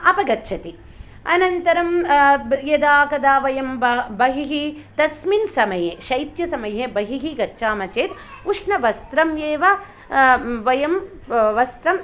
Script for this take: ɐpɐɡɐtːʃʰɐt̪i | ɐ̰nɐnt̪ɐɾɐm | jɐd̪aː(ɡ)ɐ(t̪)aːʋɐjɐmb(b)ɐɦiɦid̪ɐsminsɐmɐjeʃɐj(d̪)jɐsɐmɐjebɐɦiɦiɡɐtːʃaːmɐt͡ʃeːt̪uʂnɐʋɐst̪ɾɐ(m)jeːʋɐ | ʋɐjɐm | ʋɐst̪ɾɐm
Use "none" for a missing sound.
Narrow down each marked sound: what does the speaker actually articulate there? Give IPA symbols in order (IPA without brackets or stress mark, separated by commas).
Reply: k, d̪, b, t̪, m